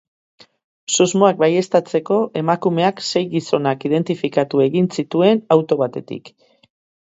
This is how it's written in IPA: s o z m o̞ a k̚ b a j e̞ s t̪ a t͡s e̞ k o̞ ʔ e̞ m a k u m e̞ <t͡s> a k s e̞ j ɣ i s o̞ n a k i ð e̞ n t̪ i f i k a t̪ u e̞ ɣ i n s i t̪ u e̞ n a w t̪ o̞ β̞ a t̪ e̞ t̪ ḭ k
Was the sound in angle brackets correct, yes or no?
no